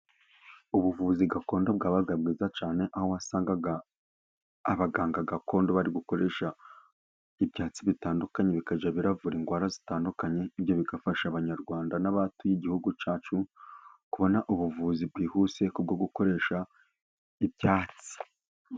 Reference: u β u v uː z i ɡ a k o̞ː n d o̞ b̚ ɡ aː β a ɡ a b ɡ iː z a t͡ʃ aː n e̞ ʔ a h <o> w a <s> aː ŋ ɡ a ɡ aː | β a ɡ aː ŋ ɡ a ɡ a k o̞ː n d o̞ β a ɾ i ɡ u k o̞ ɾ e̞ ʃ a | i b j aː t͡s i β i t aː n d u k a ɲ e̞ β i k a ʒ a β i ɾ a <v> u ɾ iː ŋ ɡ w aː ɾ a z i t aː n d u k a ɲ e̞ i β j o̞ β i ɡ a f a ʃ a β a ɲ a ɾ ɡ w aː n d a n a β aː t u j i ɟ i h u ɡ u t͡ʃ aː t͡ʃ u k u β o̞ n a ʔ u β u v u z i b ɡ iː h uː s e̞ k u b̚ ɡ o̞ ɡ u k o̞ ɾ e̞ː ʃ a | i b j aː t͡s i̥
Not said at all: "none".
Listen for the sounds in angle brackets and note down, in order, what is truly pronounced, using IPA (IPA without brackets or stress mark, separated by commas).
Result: o, s, v